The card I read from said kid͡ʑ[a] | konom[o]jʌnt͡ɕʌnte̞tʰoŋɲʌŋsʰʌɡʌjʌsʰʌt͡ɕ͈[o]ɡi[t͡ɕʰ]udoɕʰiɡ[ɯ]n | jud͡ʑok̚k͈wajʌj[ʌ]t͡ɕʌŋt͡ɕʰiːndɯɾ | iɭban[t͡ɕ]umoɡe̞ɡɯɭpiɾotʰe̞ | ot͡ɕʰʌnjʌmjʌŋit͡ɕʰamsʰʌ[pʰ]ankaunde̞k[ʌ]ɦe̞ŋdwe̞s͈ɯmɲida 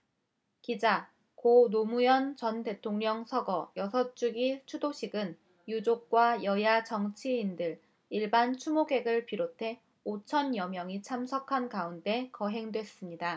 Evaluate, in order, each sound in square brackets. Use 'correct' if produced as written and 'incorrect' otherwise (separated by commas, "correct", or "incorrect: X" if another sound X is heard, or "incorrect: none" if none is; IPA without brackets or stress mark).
correct, incorrect: u, incorrect: u, correct, correct, incorrect: a, incorrect: t͡ɕʰ, incorrect: kʰ, correct